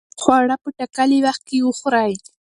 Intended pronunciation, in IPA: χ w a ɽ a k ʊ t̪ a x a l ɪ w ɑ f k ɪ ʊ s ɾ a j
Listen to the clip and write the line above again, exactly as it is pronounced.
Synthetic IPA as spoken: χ w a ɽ a p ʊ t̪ a k a l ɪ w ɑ χ k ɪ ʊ χ ɾ a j

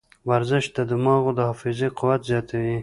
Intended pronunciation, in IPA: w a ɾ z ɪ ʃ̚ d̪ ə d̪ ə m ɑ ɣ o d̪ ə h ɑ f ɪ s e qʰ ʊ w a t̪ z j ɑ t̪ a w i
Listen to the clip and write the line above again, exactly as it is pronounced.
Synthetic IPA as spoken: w a ɾ z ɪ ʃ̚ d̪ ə d̪ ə m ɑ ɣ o d̪ ə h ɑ f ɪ z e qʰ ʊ w a t̪ z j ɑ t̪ a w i

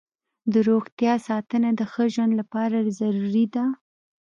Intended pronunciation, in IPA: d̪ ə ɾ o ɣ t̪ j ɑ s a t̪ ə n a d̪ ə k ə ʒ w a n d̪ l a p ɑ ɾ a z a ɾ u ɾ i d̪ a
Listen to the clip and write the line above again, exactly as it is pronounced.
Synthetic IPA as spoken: d̪ ə ɾ o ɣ t̪ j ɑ s ɑ t̪ ə n a d̪ ə x ə ʒ w a n d̪ l a p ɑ ɾ a z a ɾ u ɾ i d̪ a

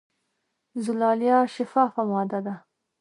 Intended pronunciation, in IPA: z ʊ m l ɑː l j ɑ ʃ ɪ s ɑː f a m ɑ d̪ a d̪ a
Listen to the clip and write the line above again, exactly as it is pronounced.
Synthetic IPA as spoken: z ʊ l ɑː l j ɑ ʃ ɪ f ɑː f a m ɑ d̪ a d̪ a

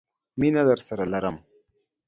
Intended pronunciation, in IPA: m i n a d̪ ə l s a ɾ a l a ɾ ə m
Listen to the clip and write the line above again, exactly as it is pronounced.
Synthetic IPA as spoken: m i n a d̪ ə ɾ s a ɾ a l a ɾ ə m

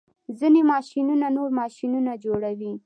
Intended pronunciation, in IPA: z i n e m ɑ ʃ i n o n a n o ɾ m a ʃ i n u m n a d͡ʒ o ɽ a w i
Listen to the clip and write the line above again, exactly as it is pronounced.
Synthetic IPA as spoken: z i n e m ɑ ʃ i n u n a n o ɾ m ɑ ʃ i n u n a d͡ʒ o ɽ a w i

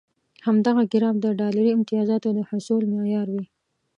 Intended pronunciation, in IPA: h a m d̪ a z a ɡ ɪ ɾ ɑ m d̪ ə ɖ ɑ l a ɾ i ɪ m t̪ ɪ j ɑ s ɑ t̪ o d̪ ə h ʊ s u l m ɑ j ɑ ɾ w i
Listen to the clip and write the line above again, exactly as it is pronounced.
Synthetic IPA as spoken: h a m d̪ a ɣ a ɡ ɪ ɾ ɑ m d̪ ə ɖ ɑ l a ɾ i ɪ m t̪ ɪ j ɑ z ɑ t̪ o d̪ ə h ʊ s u l m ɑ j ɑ ɾ w i

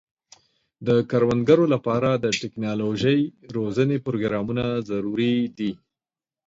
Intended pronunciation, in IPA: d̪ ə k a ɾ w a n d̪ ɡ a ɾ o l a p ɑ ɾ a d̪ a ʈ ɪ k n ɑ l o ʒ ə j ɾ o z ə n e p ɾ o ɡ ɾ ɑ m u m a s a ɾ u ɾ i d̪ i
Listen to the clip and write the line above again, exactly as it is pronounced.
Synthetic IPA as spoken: d̪ ə k a ɾ w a n d̪ ɡ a ɾ o l a p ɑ ɾ a d̪ ə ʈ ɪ k n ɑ l o ʒ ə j ɾ o z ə n e p ɾ o ɡ ɾ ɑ m u n a z a ɾ u ɾ i d̪ i

